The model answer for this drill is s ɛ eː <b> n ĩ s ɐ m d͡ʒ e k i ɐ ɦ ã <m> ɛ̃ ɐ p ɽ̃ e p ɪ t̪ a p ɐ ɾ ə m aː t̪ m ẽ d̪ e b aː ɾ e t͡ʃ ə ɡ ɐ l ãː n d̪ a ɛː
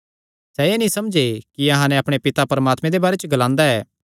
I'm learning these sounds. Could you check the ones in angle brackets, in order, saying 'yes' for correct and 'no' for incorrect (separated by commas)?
no, no